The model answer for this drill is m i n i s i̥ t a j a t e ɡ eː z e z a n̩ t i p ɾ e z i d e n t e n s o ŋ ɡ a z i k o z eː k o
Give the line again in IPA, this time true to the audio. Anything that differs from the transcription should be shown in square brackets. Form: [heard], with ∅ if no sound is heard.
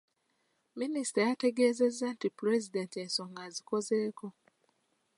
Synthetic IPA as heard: m i n i s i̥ t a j a t e ɡ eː z e z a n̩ t i p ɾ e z i d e n t e n s o ŋ ɡ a z i k o z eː k o